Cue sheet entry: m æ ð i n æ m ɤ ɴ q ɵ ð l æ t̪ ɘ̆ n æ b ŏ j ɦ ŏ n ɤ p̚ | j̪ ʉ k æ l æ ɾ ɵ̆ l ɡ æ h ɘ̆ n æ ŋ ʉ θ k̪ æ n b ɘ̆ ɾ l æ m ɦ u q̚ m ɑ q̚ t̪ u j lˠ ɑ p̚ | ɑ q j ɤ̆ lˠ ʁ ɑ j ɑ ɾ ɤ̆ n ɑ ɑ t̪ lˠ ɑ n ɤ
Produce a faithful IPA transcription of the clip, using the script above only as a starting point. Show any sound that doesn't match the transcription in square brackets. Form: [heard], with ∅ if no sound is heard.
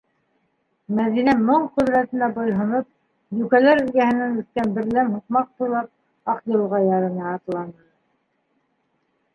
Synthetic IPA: m æ ð i n æ m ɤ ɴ q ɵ ð [ɾ] æ t̪ ɘ̆ n æ b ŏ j ɦ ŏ n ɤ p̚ | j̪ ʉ k æ l æ ɾ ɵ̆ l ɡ æ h ɘ̆ n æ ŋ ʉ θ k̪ æ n b ɘ̆ ɾ l æ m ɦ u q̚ m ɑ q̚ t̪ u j lˠ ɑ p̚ | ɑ q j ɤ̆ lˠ ʁ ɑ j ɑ ɾ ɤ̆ n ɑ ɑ t̪ lˠ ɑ n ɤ